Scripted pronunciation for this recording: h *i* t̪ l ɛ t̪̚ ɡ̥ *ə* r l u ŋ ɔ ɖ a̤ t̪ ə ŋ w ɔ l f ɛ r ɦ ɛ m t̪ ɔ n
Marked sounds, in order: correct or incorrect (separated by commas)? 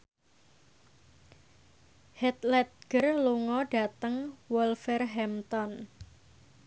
incorrect, correct